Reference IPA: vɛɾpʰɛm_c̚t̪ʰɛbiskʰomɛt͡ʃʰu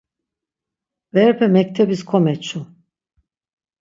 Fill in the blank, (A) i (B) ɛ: B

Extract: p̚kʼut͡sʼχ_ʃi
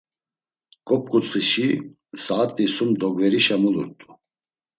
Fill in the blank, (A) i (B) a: A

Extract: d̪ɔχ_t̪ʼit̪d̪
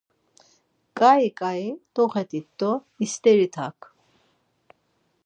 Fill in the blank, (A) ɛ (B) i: A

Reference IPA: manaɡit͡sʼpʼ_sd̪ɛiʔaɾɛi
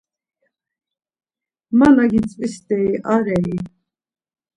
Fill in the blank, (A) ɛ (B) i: B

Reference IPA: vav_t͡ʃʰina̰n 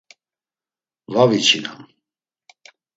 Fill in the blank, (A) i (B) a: A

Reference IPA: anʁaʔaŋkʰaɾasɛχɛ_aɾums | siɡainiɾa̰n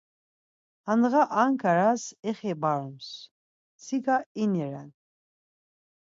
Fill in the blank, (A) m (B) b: B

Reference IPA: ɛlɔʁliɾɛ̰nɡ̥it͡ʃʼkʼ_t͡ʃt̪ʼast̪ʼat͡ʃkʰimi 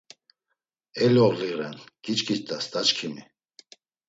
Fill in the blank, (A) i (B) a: A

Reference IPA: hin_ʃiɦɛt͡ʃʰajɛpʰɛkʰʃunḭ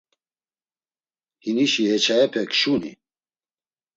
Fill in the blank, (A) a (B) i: B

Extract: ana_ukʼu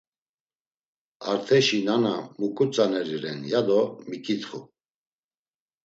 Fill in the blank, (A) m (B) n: A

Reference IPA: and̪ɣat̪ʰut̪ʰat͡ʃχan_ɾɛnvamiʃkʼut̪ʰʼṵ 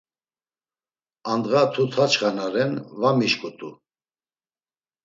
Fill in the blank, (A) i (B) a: B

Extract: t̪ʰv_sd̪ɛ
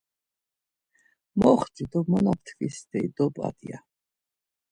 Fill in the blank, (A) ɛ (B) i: B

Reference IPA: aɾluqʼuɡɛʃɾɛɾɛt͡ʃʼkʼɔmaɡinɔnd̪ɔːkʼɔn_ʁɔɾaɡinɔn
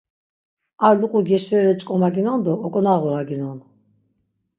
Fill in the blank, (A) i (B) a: B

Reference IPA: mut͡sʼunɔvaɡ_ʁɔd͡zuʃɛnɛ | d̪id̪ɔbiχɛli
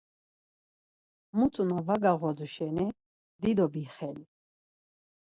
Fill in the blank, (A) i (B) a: B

